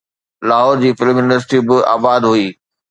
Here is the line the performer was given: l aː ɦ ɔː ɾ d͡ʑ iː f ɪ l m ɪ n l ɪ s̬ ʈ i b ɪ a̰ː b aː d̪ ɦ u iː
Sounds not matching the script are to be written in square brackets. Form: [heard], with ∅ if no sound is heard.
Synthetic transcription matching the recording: l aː ɦ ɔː ɾ d͡ʑ iː f ɪ l m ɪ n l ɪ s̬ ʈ i b ɪ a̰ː b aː d̪ ɦ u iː